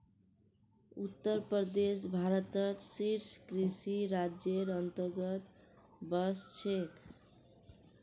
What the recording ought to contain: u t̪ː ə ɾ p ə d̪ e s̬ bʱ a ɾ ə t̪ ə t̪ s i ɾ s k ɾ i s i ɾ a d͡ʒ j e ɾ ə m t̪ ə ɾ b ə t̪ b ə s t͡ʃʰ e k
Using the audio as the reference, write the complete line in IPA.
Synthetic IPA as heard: u t̪ː ə ɾ p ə d̪ e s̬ bʱ a ɾ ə t̪ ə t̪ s i ɾ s k ɾ i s i ɾ a d͡ʒ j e ɾ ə n t̪ ə ɾ ɡ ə t̪ b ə s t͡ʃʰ e k